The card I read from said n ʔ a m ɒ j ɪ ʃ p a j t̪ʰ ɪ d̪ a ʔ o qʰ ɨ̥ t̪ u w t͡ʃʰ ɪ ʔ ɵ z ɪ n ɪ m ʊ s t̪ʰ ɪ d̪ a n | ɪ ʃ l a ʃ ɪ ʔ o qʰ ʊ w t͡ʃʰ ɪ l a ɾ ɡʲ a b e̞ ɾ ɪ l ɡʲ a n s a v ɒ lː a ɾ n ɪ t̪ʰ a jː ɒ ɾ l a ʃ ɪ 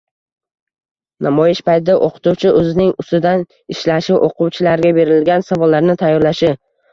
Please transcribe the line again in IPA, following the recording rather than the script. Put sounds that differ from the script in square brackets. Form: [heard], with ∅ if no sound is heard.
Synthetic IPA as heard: n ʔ a m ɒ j ɪ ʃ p a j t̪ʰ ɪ d̪ a ʔ o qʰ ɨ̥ t̪ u w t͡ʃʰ ɪ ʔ ɵ z ɪ n ɪ [ŋ] ʊ s [t̪] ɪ d̪ a n | ɪ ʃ l a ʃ ɪ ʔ o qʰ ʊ w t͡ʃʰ ɪ l a ɾ ɡʲ a b e̞ ɾ ɪ l ɡʲ a n s a v ɒ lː a ɾ n ɪ t̪ʰ a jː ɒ ɾ l a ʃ ɪ